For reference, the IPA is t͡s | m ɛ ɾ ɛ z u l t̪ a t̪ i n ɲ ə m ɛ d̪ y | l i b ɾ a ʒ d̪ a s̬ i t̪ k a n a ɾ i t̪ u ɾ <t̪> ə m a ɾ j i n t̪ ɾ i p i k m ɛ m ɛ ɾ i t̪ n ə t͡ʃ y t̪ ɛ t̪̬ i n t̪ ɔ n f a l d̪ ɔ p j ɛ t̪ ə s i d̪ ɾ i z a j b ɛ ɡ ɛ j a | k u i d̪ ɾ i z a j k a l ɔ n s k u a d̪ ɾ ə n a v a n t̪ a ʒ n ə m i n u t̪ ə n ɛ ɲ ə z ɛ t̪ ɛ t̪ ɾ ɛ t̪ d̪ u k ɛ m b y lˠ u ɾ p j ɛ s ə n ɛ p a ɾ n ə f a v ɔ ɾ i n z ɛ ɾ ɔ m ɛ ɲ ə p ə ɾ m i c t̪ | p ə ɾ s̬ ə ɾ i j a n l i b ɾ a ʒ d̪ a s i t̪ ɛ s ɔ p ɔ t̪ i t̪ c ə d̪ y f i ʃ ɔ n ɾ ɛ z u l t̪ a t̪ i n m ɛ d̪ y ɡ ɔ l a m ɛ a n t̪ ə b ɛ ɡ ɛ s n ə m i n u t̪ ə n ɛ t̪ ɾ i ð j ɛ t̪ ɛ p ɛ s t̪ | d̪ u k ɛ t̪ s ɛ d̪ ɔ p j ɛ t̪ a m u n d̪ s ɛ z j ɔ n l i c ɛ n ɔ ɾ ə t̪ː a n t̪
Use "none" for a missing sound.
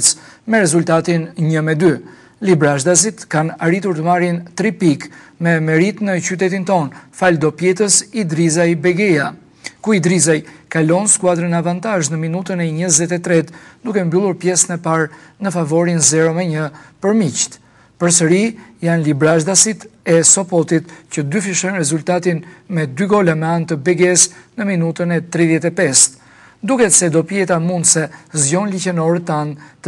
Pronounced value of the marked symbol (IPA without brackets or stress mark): t̪